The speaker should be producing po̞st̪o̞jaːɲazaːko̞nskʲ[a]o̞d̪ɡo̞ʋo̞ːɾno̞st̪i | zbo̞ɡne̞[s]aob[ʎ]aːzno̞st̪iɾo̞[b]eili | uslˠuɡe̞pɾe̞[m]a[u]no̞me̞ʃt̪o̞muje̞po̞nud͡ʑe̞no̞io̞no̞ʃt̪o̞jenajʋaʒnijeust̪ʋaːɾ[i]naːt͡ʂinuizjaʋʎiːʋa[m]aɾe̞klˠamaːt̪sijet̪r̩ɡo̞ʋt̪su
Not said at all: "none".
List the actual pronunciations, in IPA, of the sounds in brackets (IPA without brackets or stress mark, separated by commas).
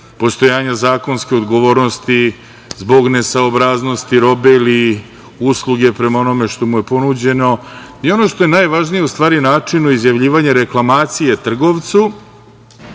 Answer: e, s, ɾ, b, m, o, i, ɲ